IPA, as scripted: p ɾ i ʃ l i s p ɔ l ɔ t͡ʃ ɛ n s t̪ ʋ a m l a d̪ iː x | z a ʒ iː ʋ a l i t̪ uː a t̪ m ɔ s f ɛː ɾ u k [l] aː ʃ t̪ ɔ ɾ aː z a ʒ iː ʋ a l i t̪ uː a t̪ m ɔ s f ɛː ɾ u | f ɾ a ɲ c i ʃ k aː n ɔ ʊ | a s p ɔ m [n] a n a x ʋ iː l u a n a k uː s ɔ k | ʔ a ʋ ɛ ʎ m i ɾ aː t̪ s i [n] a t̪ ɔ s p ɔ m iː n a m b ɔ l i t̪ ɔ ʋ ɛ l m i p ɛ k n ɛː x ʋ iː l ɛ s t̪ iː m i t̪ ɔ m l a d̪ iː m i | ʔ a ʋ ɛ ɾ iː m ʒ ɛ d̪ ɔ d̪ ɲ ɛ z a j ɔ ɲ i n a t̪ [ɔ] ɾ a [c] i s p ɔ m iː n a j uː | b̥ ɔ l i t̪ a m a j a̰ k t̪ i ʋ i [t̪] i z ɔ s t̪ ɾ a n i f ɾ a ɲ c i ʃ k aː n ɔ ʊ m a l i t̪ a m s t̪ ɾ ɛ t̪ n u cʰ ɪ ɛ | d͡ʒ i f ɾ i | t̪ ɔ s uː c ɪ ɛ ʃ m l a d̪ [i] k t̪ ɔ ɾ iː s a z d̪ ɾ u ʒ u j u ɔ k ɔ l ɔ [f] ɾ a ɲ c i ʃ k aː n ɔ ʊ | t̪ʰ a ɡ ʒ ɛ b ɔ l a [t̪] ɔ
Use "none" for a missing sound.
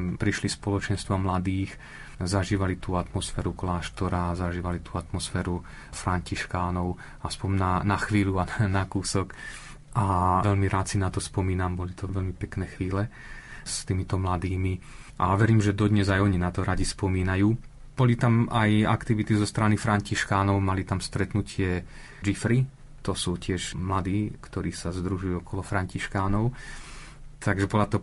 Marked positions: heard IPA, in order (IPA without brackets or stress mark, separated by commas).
l, n, n, ɔ, ɟ, t̪, iː, f, t̪